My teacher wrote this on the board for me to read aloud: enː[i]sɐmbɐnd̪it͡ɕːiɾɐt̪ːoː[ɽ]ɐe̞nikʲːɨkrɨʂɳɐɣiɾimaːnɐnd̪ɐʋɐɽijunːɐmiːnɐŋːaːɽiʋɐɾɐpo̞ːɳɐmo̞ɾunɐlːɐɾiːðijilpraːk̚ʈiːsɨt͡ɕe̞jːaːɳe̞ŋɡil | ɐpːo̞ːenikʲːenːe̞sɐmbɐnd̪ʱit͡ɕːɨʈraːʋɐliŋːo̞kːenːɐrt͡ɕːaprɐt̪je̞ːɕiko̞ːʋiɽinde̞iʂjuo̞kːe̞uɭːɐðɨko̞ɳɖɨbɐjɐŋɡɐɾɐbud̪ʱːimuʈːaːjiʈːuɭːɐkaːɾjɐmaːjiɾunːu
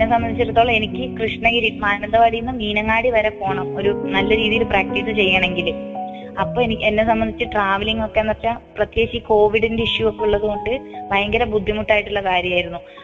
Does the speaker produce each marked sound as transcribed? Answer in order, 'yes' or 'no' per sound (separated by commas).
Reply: no, no